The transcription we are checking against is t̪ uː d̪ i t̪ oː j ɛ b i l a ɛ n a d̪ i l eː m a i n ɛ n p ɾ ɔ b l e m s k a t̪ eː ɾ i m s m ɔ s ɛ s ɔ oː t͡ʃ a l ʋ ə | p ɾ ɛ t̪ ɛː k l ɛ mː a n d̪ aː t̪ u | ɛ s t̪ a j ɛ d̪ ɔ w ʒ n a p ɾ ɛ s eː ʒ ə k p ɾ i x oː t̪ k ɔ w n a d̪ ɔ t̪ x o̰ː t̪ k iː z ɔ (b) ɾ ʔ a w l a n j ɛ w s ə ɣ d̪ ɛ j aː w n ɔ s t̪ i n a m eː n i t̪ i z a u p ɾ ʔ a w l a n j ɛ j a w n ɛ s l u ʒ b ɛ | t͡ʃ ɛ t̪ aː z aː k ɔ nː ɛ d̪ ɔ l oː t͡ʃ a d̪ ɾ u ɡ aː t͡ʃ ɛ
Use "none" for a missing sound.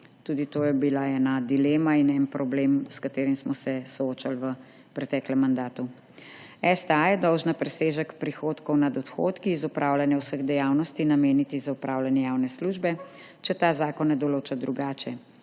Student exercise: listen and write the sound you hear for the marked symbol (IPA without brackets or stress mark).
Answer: p